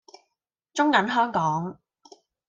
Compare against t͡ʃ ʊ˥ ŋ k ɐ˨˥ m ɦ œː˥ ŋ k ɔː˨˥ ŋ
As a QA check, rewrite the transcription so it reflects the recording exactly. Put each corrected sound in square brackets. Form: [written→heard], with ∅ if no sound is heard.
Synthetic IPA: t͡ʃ ʊ˥ ŋ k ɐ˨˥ [m→n] ɦ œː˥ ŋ k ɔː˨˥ ŋ